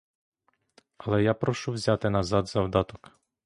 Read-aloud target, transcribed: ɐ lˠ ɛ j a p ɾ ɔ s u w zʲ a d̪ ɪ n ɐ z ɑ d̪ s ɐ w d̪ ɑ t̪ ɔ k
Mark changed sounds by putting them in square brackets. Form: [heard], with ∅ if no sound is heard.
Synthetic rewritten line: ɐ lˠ ɛ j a p ɾ ɔ [ʃ] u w zʲ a [t̪] ɪ n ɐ z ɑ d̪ [z] ɐ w d̪ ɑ t̪ ɔ k